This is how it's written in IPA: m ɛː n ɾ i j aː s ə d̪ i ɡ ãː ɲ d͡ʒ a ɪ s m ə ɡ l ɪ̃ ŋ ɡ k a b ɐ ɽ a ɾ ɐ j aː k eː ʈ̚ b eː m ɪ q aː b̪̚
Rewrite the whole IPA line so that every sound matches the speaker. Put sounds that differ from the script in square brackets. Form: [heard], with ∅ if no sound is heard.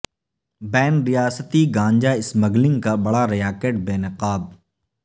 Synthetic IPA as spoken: [b] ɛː n ɾ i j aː s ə [t̪] i ɡ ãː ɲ d͡ʒ a ɪ s m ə ɡ l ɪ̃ ŋ ɡ k a b ɐ ɽ a ɾ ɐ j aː k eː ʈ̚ b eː [n] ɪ q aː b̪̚